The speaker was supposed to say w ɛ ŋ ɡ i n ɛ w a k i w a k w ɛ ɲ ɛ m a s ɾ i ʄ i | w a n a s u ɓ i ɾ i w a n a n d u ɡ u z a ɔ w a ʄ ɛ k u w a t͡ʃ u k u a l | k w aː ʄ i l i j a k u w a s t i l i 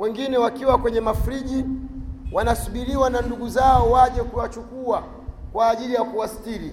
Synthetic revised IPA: w ɛ ŋ ɡ i n ɛ w a k i w a k w ɛ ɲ ɛ m a f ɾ i ʄ i | w a n a s u ɓ i ɾ i w a n a n d u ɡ u z a ɔ w a ʄ ɛ k u w a t͡ʃ u k u a | k w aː ʄ i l i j a k u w a s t i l i